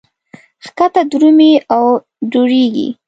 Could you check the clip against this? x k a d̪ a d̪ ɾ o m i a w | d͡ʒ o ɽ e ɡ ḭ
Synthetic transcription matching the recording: x k a t̪ a d̪ ɾ u m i a w | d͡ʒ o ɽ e ɡ ḭ